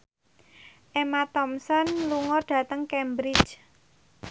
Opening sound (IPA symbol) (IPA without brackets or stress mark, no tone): ʔ